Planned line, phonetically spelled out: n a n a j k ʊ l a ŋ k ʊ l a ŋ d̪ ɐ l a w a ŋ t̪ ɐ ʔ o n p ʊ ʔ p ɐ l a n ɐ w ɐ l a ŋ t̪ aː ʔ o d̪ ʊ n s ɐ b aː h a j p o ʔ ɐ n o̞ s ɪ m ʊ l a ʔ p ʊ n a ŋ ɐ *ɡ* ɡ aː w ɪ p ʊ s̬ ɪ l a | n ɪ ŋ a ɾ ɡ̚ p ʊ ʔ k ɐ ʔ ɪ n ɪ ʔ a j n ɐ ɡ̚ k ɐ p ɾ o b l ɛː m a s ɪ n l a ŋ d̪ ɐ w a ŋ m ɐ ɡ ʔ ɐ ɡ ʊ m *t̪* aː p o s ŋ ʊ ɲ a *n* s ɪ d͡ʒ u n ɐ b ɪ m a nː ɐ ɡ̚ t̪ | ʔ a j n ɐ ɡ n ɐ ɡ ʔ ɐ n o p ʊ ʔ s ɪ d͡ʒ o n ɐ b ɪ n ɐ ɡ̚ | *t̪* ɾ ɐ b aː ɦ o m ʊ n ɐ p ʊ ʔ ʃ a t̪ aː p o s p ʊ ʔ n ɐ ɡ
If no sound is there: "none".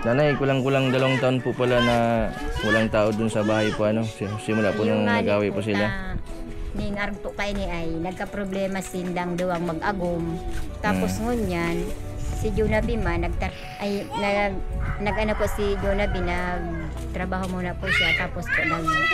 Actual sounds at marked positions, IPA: ɡ, t̪, n, t̪

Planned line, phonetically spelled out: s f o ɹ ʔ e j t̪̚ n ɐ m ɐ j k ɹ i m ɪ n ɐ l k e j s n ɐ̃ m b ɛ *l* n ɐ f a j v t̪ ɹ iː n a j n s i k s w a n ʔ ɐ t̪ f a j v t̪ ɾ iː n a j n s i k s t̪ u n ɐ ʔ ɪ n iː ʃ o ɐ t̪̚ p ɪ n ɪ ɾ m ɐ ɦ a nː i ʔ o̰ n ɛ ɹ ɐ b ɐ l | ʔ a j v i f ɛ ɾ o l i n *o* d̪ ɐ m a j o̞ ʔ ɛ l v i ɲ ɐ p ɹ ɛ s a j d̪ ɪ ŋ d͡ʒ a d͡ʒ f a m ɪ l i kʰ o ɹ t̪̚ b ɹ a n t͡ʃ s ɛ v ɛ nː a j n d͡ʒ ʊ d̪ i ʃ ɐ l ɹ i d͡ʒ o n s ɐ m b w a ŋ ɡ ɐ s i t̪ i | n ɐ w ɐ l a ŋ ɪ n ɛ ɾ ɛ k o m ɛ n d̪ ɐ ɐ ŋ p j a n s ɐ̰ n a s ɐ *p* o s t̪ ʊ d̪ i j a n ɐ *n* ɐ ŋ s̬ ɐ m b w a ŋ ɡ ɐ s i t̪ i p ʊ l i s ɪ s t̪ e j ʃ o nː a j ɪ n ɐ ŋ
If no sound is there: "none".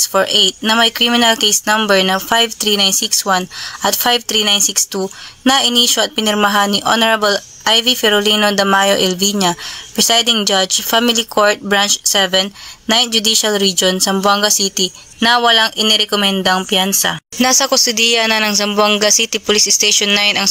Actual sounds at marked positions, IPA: ɹ, o, k, n

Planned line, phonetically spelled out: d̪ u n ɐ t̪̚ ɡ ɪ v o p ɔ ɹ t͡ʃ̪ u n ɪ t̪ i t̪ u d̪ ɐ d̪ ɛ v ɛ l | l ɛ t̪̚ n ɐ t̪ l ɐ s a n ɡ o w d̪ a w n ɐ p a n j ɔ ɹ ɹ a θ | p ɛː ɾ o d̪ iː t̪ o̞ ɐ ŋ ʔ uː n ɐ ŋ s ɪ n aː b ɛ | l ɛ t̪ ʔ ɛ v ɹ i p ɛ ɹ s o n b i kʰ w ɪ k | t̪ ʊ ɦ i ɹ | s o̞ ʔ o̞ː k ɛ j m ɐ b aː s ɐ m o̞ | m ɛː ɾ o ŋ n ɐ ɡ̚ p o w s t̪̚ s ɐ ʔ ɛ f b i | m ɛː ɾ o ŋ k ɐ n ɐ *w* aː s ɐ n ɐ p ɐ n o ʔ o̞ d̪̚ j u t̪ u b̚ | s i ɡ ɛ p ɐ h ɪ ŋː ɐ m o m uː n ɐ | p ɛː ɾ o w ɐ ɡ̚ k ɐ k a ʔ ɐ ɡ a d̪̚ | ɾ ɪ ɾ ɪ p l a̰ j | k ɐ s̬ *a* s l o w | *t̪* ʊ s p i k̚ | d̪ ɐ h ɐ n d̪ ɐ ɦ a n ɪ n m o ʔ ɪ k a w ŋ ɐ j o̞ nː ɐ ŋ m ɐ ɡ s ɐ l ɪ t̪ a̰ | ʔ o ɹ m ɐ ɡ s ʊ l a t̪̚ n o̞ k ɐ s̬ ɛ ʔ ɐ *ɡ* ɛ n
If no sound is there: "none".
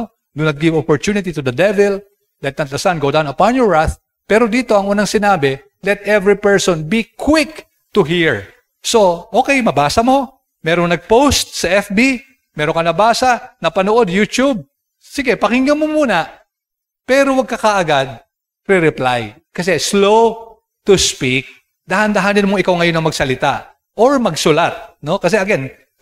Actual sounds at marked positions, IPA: b, ɛ, t̪, ɡ

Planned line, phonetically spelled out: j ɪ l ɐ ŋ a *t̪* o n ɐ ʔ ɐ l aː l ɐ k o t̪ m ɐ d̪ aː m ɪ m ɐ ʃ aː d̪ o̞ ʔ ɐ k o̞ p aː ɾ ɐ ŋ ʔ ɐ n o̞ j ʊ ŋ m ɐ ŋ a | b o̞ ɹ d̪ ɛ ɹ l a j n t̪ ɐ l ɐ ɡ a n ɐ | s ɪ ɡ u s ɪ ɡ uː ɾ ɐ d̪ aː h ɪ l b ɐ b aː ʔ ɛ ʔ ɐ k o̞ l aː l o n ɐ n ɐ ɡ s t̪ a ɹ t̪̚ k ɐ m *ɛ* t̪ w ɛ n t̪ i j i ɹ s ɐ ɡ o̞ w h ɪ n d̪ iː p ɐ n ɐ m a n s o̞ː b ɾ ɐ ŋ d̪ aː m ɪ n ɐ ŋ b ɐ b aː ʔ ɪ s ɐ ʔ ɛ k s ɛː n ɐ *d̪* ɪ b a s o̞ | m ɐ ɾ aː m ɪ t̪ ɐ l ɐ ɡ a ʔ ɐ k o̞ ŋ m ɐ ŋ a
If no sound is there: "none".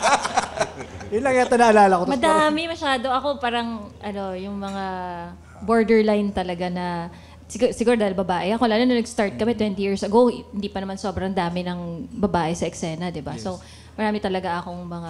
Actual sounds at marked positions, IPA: t̪, ɛ, d̪

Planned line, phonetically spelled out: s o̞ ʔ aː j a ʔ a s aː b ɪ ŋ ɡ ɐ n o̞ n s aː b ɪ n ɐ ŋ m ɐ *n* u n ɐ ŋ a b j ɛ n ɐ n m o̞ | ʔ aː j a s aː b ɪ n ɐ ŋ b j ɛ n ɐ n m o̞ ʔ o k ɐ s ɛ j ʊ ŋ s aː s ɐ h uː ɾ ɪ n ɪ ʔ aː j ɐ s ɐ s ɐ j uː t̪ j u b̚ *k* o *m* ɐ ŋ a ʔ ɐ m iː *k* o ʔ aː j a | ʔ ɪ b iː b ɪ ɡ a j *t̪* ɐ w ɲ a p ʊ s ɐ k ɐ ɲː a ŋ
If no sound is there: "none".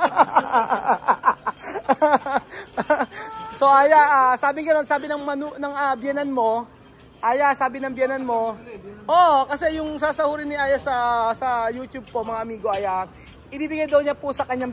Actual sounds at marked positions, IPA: n, p, m, ɡ, d̪

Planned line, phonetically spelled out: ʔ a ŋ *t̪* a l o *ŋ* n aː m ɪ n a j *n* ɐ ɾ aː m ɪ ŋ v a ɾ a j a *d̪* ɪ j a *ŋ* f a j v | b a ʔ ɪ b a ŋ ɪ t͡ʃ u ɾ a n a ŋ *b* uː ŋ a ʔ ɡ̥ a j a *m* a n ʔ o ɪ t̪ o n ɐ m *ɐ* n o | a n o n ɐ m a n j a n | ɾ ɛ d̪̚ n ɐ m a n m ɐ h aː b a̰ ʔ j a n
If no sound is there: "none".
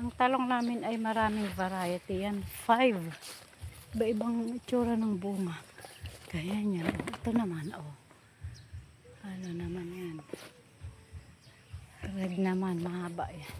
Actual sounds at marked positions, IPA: t̪, ŋ, m, t̪, n, b, ɲ, a

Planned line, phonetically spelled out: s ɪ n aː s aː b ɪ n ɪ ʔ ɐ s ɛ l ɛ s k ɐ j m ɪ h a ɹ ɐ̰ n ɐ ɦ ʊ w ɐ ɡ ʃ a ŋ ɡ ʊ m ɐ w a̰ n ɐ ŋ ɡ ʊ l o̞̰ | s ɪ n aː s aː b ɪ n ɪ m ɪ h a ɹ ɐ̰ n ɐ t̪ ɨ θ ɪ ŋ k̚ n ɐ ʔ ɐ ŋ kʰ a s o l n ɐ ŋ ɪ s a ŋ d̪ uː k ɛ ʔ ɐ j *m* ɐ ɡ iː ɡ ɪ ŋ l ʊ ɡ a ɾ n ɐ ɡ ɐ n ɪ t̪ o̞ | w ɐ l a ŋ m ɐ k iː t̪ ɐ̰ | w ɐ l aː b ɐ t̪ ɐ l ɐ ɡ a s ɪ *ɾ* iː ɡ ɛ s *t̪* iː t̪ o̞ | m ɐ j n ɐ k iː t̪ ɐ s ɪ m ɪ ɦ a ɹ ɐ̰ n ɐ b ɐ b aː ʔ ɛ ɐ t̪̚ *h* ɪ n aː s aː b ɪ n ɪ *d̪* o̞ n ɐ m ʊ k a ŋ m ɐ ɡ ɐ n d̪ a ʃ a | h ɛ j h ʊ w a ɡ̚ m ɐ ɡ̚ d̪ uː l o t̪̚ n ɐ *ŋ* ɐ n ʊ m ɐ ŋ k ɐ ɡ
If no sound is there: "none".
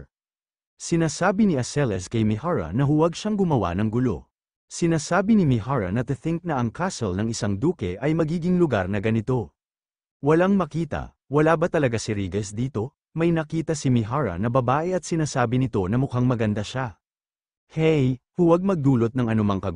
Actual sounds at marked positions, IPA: m, ɾ, d̪, s, t̪, ŋ

